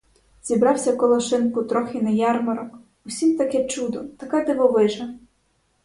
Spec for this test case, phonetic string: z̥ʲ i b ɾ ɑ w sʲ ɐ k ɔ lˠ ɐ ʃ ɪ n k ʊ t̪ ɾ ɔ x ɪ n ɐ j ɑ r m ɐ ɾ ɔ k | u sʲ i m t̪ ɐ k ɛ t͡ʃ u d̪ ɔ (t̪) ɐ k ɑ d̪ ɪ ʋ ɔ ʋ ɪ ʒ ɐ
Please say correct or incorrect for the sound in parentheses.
correct